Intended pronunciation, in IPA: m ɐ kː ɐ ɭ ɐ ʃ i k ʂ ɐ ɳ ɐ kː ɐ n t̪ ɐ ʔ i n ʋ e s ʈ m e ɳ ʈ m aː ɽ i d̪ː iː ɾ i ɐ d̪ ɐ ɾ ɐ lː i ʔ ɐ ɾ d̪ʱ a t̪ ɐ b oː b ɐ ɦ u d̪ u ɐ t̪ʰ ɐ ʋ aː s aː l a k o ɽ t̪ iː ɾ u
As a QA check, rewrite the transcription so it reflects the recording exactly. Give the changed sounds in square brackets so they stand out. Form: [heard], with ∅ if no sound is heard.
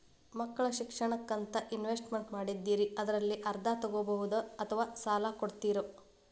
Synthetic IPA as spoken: m ɐ kː ɐ ɭ ɐ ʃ i k ʂ ɐ ɳ ɐ kː ɐ n t̪ ɐ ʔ i n ʋ e s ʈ m e ɳ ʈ m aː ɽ i d̪ː iː ɾ i ɐ d̪ ɐ ɾ ɐ lː i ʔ ɐ ɾ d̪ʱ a t̪ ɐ [ɡ] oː b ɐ ɦ u d̪ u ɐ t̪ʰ ɐ ʋ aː s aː l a k o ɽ t̪ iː ɾ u